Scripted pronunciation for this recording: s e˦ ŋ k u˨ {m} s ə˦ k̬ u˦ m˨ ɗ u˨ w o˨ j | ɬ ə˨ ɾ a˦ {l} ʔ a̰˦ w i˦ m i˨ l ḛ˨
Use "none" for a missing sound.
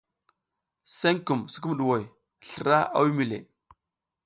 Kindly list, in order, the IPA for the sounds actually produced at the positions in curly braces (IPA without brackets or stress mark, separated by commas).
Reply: m, none